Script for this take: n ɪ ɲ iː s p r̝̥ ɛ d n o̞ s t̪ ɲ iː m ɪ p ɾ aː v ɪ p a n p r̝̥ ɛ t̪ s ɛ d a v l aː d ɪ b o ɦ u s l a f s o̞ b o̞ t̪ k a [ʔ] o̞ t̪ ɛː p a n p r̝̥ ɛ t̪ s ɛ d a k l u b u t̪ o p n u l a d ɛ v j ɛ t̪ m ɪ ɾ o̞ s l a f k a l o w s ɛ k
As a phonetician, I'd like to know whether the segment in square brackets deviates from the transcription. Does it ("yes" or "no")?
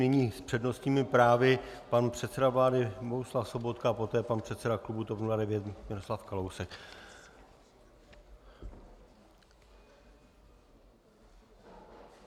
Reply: yes